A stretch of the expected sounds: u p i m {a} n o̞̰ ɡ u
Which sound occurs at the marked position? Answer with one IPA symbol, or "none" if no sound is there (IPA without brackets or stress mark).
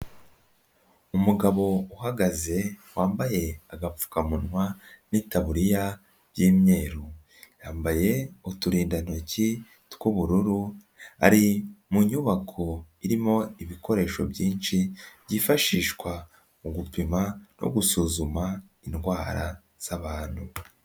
a